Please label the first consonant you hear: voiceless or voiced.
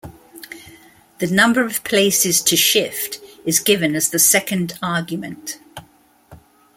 voiced